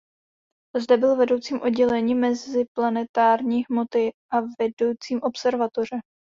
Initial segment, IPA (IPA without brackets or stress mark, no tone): z